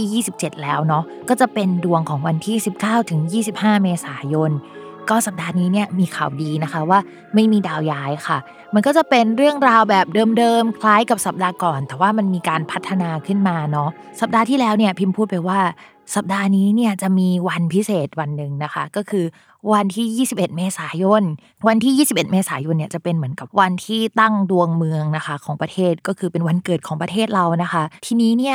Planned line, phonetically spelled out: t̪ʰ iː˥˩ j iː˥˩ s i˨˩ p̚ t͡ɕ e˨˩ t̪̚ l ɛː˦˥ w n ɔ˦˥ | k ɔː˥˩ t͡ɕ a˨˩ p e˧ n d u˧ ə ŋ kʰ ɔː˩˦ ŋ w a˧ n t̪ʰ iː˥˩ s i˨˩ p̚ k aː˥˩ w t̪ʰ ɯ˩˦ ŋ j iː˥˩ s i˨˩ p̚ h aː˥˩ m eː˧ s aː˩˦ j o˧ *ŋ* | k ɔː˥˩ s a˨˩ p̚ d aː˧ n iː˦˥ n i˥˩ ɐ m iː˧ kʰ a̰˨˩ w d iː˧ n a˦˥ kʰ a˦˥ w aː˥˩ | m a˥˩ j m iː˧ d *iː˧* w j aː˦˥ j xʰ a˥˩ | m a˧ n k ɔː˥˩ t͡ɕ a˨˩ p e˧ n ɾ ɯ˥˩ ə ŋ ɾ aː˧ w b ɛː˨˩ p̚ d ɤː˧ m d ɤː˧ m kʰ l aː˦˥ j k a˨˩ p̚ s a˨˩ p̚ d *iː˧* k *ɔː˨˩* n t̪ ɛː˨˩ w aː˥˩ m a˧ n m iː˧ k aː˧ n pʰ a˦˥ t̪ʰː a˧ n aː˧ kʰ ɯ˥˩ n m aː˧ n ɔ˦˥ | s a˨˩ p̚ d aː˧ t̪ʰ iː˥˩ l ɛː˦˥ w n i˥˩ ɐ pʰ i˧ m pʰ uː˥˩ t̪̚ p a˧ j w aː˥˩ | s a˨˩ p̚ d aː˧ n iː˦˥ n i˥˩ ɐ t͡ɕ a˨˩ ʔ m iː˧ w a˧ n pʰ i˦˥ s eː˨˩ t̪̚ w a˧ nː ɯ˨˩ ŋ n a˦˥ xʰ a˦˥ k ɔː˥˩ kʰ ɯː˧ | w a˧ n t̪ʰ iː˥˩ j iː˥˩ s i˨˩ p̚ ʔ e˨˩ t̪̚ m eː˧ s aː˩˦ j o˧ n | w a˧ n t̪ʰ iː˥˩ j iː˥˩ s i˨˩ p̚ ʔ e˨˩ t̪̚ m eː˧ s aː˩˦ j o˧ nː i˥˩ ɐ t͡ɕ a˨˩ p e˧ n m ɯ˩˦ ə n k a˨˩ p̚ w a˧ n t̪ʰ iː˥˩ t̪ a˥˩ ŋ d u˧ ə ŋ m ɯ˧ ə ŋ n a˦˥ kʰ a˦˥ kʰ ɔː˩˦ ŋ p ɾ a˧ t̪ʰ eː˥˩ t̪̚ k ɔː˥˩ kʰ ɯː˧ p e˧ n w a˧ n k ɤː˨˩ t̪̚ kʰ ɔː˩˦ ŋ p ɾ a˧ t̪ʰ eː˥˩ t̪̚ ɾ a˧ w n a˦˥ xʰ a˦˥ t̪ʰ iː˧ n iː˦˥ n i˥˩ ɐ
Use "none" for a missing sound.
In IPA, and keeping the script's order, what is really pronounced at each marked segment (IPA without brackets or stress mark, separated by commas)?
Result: n, aː˧, aː˧, ɔː˨˩